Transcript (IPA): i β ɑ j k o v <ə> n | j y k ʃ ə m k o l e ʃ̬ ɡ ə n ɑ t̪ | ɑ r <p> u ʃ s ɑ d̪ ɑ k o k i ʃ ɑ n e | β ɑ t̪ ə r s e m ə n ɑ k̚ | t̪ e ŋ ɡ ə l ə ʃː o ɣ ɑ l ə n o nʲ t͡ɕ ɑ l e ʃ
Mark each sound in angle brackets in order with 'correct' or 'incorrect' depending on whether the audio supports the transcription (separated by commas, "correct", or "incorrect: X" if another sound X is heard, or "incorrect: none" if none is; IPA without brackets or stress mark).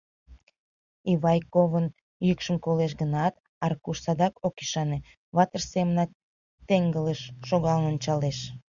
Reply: correct, incorrect: k